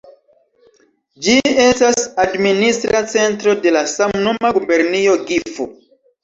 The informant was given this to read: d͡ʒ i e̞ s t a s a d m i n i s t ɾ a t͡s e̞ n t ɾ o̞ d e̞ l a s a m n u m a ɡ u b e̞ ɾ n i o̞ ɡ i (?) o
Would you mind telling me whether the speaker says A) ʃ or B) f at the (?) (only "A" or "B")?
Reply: B